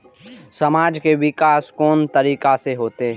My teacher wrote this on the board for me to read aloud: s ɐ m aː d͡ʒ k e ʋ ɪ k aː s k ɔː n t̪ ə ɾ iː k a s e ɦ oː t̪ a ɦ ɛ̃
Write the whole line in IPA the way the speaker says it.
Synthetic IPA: s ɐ m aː d͡ʒ k e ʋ ɪ k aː s k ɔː n t̪ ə ɾ iː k a s e ɦ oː t̪ e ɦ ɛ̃